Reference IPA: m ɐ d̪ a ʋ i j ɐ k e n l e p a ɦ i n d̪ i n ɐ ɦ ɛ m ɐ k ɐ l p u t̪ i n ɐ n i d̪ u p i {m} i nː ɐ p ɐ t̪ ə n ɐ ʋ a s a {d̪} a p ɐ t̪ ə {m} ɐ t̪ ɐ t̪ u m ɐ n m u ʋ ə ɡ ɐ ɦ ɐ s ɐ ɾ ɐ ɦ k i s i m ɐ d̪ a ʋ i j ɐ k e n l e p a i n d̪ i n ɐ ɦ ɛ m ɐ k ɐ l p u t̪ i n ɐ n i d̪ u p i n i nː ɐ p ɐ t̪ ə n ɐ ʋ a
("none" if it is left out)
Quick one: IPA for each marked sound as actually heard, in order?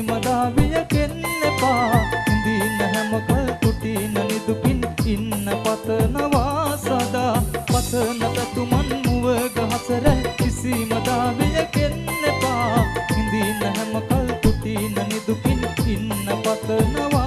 n, d̪, n

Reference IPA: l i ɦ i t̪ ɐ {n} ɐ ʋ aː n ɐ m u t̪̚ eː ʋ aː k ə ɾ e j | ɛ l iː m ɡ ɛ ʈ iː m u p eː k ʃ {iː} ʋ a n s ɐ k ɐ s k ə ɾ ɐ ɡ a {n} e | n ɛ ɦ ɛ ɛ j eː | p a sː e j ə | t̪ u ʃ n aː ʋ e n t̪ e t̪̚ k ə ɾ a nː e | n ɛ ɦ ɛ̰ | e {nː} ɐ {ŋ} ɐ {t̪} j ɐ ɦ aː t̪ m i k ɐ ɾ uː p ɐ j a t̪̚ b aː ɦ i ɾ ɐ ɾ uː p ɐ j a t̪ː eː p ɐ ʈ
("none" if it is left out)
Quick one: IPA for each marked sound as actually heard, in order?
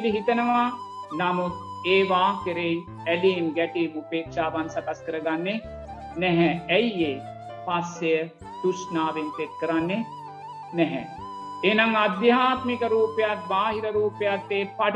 n, aː, nː, n, ŋ, d̪

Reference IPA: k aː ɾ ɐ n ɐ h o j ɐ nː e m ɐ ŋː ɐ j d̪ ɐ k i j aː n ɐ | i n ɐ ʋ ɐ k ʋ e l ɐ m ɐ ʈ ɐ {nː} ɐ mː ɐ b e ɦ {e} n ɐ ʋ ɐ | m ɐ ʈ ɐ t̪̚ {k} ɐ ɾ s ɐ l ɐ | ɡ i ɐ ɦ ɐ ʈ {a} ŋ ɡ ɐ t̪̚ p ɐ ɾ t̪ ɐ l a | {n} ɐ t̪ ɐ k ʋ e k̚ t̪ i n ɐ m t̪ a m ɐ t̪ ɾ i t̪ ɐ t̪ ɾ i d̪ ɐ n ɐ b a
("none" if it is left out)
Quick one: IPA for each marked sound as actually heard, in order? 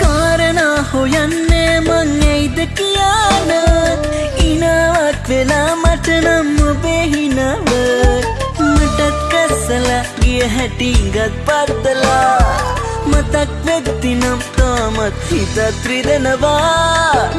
n, i, k, i, m

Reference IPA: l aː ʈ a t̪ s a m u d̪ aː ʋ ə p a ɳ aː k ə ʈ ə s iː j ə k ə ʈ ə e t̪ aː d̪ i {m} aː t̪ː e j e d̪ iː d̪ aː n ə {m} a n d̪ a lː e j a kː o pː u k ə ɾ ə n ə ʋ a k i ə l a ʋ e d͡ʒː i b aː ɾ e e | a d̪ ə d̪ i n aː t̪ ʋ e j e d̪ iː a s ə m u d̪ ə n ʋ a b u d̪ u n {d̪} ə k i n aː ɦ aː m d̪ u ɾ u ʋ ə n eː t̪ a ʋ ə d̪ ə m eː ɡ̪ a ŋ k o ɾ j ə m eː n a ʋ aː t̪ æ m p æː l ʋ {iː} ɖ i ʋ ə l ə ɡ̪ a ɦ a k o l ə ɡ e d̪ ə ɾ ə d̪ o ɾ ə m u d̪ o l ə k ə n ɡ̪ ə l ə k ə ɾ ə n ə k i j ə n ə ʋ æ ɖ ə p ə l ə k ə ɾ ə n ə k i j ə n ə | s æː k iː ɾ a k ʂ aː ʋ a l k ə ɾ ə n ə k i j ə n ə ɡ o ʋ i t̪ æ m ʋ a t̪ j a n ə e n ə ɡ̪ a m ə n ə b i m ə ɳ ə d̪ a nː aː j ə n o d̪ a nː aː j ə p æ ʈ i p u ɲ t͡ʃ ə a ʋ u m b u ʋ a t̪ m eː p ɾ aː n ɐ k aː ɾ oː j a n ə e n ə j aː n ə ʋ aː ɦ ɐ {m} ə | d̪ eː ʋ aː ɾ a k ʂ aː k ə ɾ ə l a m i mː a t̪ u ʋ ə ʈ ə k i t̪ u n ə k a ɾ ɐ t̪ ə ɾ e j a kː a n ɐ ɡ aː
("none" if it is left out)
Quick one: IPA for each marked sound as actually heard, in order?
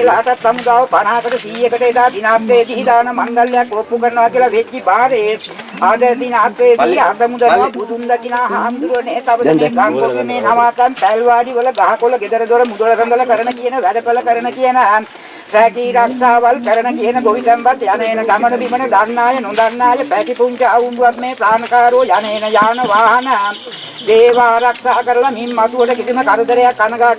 n, m, d̪, aː, n

